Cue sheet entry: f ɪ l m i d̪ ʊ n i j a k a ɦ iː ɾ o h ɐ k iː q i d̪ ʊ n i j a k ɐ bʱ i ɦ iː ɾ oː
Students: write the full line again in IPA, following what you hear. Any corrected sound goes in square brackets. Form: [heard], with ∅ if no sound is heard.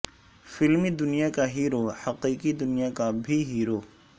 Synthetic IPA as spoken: f ɪ l m i d̪ ʊ n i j a k a ɦ iː ɾ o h ɐ [q] iː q i d̪ ʊ n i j a k [a] bʱ i ɦ iː ɾ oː